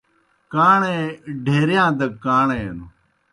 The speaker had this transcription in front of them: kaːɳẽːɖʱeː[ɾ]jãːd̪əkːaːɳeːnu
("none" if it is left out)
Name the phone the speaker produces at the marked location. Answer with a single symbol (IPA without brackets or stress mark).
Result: ɾ